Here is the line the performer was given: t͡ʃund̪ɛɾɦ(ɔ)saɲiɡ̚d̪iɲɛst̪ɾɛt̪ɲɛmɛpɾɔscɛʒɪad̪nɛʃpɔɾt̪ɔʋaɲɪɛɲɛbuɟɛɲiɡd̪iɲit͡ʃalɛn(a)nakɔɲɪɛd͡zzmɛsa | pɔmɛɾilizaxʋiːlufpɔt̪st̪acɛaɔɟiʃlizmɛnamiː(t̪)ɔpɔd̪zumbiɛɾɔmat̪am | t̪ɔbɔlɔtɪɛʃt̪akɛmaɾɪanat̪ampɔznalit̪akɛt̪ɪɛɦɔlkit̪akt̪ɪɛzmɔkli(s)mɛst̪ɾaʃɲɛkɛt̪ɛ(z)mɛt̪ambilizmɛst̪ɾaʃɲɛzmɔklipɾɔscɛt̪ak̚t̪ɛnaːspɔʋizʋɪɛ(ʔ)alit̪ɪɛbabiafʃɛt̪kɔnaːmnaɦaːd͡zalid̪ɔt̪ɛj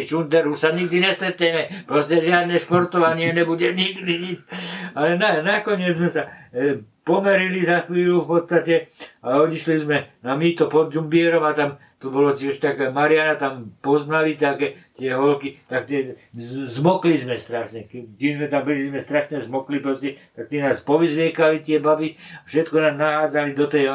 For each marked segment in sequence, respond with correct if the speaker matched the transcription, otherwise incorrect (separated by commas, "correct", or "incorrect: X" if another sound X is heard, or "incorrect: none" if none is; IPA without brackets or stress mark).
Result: incorrect: u, correct, correct, incorrect: z, correct, incorrect: k